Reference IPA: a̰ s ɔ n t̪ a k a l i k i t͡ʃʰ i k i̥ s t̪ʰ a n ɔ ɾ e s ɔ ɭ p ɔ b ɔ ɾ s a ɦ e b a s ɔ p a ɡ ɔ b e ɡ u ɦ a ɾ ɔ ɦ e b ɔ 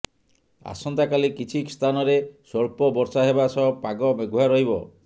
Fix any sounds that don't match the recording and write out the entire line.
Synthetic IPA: a̰ s ɔ n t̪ a k a l i k i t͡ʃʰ i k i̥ s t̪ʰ a n ɔ ɾ e s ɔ ɭ p ɔ b ɔ ɾ s a ɦ e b a s ɔ p a ɡ ɔ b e ɡ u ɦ a ɾ ɔ ɦ i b ɔ